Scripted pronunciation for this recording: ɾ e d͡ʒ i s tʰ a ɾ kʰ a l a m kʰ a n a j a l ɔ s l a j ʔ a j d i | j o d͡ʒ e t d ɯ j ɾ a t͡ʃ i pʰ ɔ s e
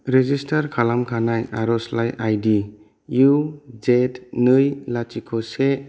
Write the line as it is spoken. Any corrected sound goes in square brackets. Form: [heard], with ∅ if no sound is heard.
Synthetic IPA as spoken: ɾ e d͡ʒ i s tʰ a ɾ kʰ a l a m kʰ a n a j a [ɾ] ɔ s l a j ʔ a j d i | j [u] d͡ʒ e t [n] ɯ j [l] a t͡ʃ i [kʰ] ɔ s e